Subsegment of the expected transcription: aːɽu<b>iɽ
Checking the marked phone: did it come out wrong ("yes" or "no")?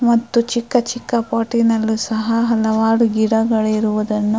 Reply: yes